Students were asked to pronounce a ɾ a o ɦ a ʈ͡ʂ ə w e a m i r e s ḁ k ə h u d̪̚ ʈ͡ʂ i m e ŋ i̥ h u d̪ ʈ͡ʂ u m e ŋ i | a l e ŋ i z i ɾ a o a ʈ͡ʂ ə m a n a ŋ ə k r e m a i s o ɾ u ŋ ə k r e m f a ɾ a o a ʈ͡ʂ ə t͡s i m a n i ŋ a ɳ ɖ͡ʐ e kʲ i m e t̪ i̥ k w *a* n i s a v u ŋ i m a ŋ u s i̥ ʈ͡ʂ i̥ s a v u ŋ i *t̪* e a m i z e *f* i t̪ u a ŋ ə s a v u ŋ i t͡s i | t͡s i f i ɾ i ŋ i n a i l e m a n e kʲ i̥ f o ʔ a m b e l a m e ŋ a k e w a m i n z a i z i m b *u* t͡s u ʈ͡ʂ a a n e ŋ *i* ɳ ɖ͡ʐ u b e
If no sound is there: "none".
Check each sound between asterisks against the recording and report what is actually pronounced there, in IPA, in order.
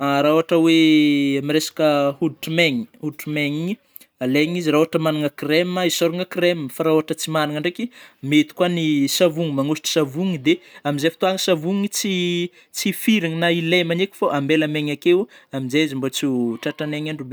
a, d̪, f, o, a

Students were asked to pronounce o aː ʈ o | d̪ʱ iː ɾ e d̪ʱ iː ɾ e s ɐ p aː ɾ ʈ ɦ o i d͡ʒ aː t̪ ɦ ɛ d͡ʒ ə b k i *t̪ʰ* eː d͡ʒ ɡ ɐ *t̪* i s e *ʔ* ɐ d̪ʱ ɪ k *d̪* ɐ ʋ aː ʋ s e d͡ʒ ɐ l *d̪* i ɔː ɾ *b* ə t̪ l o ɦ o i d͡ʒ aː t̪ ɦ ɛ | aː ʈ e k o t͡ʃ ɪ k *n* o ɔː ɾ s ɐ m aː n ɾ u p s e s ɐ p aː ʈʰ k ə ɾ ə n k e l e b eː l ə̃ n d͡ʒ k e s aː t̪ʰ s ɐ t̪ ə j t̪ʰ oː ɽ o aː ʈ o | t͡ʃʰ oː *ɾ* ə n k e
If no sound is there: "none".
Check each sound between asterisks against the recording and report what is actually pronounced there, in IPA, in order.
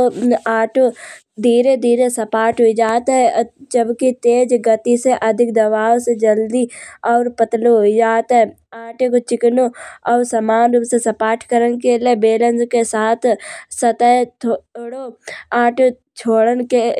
t̪, t̪, ʔ, d̪, d̪, p, n, ɽ

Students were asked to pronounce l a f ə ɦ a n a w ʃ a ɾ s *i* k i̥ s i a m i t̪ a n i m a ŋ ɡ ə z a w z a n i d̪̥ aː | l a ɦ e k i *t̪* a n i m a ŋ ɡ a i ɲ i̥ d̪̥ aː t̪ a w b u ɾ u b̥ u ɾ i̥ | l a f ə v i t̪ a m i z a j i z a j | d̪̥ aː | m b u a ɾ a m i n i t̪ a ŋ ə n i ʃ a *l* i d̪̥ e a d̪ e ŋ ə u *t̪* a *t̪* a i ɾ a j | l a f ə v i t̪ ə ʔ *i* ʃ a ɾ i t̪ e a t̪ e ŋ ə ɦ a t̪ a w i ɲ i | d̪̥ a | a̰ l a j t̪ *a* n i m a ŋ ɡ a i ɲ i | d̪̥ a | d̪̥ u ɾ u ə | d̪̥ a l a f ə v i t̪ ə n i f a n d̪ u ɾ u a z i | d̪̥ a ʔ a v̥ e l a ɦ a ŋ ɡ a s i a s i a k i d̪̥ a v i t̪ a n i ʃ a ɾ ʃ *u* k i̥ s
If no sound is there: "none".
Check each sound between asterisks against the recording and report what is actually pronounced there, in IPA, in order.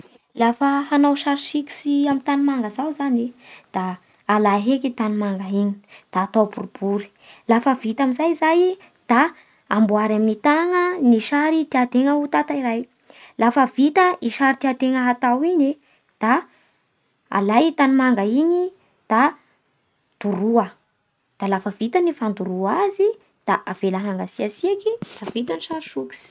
i, t̪, ɾ, t̪, t̪, i, a, u

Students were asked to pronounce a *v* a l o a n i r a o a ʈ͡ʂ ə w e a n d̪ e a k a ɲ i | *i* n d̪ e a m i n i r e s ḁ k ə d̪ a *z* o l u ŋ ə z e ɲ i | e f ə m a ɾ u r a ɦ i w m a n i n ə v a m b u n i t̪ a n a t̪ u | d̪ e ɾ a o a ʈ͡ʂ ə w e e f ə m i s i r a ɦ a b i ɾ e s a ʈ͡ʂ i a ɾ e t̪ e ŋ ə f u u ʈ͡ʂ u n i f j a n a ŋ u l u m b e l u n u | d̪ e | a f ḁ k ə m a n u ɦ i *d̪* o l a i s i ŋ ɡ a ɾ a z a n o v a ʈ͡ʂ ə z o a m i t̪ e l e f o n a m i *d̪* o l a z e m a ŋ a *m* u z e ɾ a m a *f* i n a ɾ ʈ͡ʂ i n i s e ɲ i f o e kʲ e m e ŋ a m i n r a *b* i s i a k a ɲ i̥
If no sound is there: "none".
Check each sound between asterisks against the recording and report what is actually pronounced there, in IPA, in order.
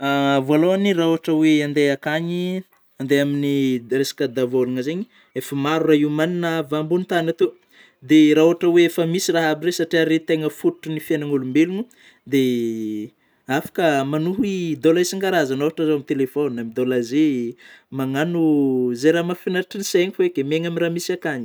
v, a, v, d̪, d̪, n, f, m

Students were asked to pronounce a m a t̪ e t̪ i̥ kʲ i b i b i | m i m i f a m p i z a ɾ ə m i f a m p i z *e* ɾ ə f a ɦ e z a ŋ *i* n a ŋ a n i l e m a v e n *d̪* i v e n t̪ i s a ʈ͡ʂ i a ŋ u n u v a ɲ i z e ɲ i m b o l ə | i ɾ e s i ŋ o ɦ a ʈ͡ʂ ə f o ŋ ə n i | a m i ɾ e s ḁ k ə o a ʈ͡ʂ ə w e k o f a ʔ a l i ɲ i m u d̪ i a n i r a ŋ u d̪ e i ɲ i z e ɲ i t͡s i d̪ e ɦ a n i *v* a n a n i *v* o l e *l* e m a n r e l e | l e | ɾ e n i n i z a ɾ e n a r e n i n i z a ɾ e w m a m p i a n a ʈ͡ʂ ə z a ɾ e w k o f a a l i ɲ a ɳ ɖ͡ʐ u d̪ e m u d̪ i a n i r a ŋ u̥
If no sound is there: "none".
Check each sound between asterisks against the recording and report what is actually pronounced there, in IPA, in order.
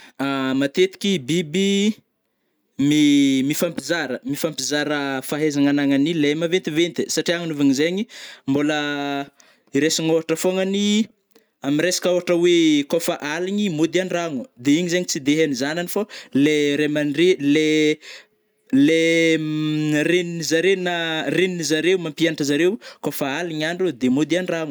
a, a, t̪, z, f, ɾ

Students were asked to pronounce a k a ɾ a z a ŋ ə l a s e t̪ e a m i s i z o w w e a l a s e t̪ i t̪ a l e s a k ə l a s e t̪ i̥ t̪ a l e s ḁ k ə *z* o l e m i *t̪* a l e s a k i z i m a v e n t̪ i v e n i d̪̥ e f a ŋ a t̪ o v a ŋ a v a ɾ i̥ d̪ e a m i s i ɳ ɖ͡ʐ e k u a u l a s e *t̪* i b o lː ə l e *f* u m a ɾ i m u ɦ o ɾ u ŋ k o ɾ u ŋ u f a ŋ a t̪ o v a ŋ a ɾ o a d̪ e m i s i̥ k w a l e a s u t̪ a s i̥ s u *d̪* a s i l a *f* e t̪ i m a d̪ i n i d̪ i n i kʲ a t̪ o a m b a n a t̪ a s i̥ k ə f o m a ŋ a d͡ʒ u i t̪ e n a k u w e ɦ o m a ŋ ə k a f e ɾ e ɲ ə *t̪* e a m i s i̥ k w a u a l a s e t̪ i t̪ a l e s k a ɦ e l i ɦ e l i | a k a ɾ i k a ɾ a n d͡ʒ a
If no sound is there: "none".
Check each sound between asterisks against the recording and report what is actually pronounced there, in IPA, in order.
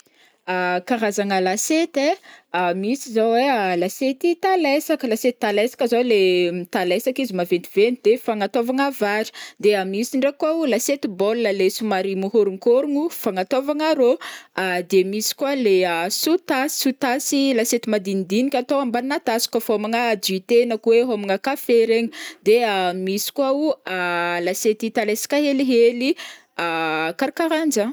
z, t̪, t̪, s, t̪, s, d̪

